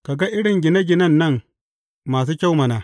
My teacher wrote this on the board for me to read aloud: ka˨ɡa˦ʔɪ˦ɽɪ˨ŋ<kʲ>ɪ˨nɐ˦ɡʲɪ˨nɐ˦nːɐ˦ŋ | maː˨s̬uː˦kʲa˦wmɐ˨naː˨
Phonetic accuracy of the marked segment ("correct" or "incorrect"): incorrect